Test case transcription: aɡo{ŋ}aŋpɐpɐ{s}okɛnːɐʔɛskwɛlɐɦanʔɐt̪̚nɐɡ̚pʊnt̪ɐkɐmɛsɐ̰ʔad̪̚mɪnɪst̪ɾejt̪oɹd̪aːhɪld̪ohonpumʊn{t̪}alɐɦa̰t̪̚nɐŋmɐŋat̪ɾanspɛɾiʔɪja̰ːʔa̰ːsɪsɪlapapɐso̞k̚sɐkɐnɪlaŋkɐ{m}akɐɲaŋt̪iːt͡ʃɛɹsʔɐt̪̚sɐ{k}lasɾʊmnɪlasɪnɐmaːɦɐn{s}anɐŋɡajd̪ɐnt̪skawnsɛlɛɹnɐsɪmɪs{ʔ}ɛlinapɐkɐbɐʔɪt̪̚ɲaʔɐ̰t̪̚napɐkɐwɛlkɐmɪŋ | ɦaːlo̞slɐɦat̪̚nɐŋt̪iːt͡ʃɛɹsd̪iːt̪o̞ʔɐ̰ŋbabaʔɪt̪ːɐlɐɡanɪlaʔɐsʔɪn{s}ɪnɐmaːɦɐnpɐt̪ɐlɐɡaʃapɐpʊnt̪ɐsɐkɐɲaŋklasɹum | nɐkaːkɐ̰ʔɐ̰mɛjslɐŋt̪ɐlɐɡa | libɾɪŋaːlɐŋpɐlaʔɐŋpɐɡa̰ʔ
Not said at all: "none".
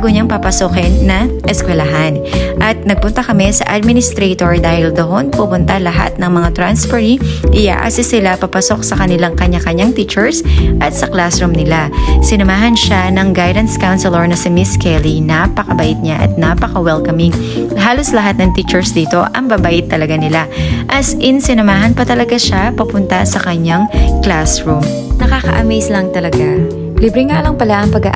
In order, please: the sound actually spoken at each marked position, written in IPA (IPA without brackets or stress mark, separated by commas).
ɲ, s, t̪, ɲ, k, ʃ, k, s